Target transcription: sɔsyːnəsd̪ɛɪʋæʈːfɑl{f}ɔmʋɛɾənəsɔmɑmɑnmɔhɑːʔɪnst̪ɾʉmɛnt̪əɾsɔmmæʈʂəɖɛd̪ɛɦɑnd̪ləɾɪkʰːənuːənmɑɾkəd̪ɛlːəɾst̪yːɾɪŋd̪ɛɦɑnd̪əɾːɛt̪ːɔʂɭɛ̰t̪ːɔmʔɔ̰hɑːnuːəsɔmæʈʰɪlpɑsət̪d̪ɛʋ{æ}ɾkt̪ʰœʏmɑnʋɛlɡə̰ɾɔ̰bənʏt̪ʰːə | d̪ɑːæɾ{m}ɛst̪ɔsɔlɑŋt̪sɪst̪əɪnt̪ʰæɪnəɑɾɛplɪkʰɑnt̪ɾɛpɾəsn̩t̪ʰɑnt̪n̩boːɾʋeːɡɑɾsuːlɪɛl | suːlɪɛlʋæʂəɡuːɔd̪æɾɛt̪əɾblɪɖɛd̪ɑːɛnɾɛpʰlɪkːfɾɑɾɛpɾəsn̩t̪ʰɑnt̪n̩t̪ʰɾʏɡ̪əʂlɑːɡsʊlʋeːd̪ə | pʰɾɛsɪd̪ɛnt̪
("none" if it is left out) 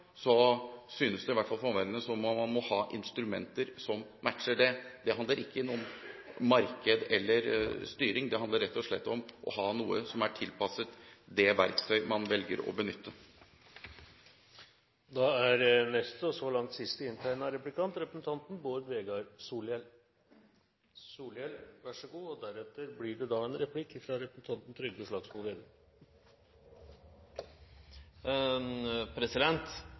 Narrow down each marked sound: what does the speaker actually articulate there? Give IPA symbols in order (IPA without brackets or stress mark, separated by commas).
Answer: f, æ, n